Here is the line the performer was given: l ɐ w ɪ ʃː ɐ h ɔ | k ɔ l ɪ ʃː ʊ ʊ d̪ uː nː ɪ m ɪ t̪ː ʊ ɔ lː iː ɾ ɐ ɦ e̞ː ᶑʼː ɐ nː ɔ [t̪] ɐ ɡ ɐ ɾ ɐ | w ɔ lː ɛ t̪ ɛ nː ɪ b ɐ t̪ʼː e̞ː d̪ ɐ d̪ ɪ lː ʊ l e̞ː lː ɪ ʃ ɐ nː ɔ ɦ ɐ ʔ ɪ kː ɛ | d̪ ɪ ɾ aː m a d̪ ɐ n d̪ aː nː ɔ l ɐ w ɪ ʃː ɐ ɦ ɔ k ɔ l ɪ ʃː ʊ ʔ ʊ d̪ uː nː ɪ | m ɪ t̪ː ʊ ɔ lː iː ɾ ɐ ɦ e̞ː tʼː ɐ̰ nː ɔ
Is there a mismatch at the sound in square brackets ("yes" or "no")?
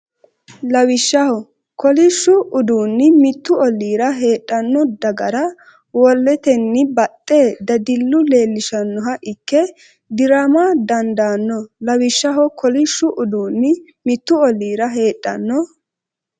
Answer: yes